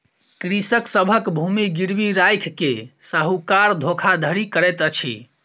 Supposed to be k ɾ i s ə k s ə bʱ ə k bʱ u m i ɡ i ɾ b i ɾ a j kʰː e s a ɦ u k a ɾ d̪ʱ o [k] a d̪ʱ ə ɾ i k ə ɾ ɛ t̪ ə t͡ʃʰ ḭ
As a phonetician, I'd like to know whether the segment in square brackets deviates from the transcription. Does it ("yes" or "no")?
yes